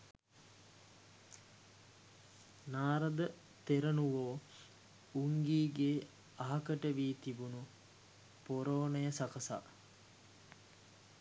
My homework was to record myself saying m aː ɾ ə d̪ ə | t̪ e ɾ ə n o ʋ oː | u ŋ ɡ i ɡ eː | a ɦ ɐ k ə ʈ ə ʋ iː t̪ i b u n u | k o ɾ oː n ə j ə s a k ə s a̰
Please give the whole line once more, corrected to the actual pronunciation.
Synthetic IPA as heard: n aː ɾ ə d̪ ə | t̪ e ɾ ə n u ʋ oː | u ŋ ɡ iː ɡ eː | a ɦ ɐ k ə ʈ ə ʋ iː t̪ i b u n u | p o ɾ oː n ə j ə s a k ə s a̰